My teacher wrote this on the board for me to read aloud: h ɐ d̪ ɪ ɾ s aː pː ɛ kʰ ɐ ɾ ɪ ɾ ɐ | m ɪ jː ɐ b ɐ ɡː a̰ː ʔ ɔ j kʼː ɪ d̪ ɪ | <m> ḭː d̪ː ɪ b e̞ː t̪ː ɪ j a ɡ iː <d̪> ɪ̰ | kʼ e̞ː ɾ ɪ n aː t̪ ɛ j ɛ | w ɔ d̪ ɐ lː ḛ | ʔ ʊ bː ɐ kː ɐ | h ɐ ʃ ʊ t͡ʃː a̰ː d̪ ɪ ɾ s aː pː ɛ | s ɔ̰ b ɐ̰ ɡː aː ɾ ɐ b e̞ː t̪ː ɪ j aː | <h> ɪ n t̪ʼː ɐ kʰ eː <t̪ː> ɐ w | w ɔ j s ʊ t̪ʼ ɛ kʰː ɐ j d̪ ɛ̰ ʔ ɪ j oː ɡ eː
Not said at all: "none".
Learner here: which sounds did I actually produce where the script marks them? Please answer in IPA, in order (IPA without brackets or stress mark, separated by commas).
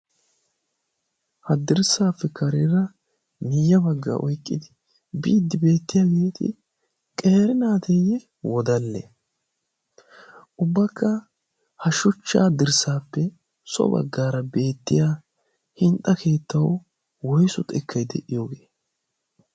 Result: b, t̪, h, t̪ː